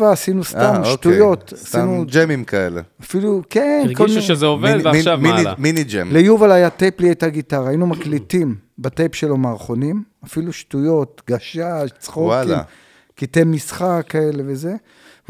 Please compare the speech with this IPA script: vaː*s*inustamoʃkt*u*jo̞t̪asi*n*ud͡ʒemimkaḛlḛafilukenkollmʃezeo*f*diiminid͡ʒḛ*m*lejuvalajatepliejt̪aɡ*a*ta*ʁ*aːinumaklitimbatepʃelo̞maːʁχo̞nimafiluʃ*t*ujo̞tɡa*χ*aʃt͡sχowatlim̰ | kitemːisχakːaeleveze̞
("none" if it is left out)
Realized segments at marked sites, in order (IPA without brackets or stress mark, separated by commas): s, u, n, v, m, i, ʁ, t, ʃ